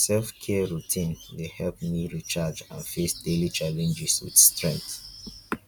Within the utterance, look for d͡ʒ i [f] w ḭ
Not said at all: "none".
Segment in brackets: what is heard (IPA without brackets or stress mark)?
s